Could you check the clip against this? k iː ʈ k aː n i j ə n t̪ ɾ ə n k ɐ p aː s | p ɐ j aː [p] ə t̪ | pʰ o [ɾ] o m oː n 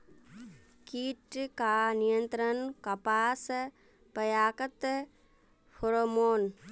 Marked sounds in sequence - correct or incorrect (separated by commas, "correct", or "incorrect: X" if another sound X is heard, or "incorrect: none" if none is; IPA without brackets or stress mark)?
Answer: incorrect: k, correct